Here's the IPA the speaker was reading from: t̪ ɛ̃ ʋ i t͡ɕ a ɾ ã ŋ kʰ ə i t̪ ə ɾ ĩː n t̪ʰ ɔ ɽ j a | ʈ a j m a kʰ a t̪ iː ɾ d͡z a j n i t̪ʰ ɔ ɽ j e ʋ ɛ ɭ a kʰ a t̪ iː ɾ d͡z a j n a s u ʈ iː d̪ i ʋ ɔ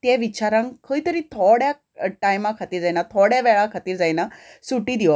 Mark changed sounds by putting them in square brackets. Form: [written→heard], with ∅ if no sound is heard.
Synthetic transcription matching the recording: t̪ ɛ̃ ʋ i t͡ɕ a ɾ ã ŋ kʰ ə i t̪ ə ɾ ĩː [n→∅] t̪ʰ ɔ ɽ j a | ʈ a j m a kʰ a t̪ iː ɾ d͡z a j n [i→a] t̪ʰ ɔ ɽ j [e→a] ʋ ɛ ɭ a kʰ a t̪ iː ɾ d͡z a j n a s u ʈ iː d̪ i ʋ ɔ

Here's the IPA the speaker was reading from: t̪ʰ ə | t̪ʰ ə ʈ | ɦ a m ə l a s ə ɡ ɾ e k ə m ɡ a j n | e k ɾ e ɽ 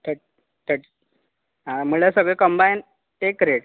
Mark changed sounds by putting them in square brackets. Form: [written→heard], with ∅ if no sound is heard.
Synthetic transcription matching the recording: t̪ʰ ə | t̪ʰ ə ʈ | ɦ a m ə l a s ə ɡ [ɾ→ɭ] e k ə m [ɡ→b] a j n | e k ɾ e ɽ

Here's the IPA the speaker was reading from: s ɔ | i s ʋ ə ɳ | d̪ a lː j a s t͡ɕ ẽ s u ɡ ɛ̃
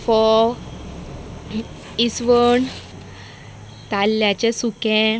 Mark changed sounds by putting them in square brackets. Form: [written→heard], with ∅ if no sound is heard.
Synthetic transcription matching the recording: [s→f] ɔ | i s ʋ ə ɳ | [d̪→t̪] a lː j a [s→∅] t͡ɕ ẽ s u [ɡ→k] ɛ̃

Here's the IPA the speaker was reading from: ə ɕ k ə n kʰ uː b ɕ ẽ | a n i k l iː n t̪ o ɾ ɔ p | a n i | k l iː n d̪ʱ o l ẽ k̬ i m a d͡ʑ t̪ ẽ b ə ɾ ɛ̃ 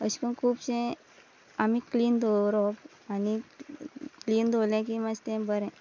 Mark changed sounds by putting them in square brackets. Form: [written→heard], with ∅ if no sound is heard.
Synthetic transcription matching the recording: ə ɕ k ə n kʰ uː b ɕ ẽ | a [n→m] i k l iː n [t̪→d̪] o ɾ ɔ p | a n i | k l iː n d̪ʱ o l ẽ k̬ i m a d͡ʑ t̪ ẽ b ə ɾ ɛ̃

